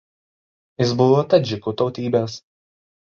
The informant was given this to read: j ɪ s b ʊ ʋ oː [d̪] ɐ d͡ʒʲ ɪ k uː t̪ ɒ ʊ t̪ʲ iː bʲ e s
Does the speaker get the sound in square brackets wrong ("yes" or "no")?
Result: yes